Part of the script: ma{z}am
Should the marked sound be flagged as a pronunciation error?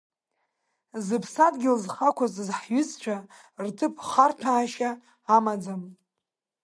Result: yes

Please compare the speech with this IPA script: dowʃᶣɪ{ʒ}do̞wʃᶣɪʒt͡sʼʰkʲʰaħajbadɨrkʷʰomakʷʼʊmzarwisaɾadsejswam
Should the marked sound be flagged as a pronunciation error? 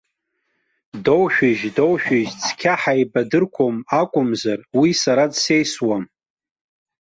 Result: no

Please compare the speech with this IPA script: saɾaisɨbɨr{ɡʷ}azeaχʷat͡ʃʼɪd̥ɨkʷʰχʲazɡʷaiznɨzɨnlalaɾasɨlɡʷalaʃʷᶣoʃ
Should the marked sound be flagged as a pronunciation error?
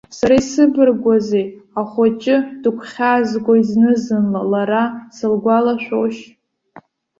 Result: no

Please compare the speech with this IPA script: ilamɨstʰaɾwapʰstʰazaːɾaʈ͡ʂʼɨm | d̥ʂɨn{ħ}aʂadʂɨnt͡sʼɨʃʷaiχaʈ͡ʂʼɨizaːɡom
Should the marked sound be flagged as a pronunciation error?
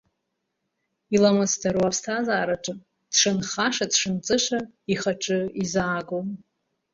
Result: yes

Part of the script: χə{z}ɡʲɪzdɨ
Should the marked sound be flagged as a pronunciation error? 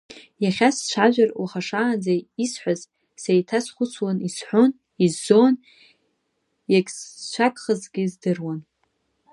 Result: no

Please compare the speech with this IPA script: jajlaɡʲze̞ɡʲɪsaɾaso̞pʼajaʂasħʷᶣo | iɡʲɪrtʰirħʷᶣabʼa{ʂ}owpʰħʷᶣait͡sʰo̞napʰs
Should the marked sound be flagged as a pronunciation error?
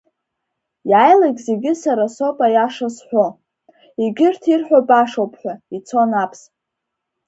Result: no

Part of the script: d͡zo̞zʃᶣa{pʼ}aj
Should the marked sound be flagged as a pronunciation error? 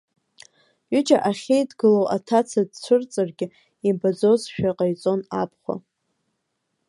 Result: yes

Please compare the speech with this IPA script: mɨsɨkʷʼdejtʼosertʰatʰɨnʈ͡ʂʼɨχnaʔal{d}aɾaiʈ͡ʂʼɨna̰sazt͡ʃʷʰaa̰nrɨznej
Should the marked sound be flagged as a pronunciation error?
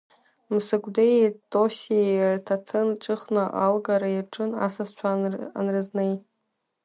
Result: yes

